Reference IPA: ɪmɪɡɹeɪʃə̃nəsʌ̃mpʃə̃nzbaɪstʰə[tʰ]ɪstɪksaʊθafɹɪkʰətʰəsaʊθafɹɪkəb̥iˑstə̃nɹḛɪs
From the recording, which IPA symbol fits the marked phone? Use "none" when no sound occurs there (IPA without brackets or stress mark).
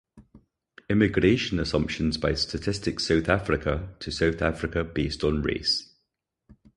tʰ